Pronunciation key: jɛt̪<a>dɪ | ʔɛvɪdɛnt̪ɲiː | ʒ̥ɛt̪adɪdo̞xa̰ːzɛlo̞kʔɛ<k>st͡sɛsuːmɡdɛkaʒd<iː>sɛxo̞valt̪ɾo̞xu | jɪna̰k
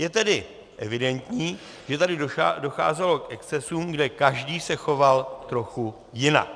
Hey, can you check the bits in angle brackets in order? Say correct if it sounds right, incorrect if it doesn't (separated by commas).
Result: incorrect, correct, correct